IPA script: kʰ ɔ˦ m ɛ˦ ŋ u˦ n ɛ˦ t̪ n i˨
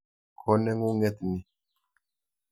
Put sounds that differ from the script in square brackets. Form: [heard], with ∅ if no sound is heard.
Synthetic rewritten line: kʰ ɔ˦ [n] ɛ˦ ŋ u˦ [ŋ] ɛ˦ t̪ n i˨